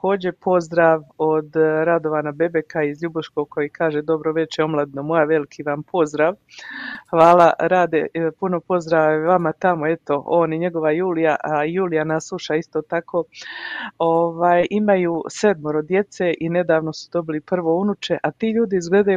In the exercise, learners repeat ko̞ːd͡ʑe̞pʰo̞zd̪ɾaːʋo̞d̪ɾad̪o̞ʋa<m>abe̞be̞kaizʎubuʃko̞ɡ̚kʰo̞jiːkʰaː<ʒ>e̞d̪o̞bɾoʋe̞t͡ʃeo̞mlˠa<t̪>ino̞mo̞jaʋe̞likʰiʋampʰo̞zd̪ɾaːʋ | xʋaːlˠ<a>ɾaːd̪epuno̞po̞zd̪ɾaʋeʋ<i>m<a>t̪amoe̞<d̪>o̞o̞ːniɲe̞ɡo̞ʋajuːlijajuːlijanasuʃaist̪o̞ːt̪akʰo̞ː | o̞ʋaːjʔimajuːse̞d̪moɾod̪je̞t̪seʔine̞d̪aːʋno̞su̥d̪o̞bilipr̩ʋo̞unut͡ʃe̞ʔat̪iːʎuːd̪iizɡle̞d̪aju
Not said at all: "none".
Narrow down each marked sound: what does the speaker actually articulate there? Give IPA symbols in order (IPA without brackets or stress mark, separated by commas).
n, ʒ, d̪, a, a, a, t̪